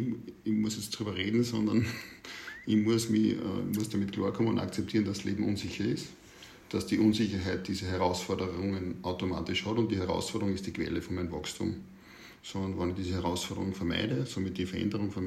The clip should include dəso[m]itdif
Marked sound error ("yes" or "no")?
no